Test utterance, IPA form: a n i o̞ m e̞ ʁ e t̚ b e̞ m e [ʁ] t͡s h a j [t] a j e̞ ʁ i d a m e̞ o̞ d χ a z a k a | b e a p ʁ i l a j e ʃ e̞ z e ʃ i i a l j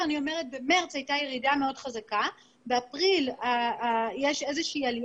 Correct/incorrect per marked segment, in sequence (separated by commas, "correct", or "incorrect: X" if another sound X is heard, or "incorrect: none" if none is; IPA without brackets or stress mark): correct, correct